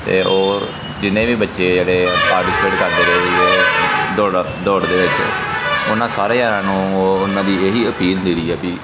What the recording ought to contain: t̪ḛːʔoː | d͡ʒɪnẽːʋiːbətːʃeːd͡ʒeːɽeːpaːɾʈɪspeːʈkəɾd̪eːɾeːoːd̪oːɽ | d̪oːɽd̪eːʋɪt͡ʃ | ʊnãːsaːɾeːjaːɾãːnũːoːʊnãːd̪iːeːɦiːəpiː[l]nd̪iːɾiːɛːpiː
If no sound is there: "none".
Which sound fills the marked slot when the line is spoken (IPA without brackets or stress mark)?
l